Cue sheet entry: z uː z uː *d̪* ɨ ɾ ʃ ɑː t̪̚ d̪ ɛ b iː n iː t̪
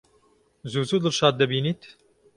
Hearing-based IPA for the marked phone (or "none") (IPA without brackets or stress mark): d̪